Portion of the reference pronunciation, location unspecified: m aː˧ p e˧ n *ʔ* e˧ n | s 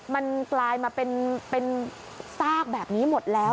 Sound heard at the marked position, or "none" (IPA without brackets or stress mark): p